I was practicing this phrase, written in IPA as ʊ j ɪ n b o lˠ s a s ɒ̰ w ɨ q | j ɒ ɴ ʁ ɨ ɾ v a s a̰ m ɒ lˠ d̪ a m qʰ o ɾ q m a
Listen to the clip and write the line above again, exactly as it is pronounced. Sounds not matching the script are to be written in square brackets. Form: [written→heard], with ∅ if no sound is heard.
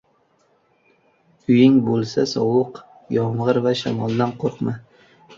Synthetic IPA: ʊ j ɪ [n→ŋ] b o lˠ s a s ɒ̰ w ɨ q | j ɒ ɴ ʁ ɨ ɾ v a [s→ʃ] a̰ m ɒ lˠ d̪ a [m→n] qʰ o ɾ q m a